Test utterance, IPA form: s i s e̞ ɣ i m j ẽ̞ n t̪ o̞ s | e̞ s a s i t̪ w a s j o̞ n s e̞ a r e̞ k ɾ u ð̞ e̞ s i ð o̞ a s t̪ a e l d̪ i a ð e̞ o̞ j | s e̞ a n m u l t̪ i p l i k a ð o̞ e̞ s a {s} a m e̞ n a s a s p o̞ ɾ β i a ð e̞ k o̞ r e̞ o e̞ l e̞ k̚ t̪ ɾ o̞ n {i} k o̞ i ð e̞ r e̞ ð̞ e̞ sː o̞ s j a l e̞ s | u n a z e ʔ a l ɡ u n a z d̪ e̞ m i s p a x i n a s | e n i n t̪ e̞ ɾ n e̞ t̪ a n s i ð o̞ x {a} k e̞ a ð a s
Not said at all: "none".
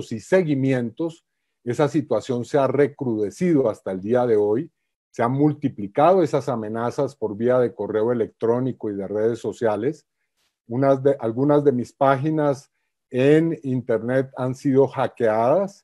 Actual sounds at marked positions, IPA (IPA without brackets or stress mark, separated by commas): s, i, a